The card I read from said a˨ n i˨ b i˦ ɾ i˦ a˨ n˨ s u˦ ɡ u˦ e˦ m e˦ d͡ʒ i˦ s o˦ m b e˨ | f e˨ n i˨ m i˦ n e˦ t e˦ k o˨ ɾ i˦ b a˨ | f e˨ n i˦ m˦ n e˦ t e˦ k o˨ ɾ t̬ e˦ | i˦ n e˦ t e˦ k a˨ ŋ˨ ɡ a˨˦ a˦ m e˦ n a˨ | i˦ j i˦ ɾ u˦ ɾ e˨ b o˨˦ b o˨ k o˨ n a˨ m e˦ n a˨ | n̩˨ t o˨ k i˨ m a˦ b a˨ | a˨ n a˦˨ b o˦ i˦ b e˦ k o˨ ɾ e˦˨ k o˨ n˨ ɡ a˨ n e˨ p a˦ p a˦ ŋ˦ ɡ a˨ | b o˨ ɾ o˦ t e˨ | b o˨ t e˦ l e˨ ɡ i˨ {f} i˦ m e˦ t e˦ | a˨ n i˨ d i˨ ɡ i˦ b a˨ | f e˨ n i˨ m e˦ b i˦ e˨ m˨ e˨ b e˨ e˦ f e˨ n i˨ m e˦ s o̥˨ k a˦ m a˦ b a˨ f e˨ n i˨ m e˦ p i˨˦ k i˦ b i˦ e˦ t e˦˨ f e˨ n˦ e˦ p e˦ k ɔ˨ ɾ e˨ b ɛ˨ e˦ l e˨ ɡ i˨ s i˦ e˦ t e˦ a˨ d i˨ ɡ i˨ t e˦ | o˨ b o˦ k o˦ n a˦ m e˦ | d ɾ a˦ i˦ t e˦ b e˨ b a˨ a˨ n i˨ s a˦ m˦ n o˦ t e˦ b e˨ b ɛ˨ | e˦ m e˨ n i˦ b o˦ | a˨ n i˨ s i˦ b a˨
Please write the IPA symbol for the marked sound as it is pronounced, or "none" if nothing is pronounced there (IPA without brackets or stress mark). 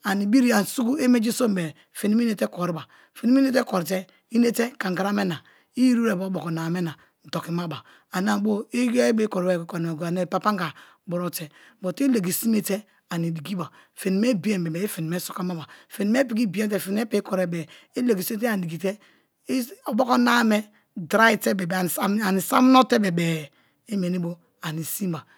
s